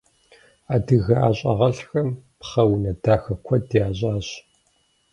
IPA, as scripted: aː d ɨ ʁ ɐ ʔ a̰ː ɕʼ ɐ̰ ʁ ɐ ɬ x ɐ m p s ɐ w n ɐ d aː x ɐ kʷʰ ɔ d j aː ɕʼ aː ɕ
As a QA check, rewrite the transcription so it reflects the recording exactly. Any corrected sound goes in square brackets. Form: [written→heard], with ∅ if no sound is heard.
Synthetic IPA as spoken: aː d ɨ [ʁ→ɣ] ɐ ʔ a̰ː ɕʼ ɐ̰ ʁ ɐ ɬ x ɐ m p [s→χ] ɐ w n ɐ d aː x ɐ kʷʰ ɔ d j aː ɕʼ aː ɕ